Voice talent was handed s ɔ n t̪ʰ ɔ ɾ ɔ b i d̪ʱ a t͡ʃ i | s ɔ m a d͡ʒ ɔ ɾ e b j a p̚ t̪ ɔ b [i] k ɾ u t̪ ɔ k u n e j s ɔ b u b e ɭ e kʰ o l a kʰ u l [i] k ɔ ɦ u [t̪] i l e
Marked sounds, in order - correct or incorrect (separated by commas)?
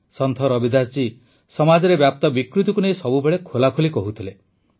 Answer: correct, correct, incorrect